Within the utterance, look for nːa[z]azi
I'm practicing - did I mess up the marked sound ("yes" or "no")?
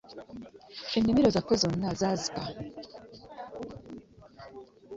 no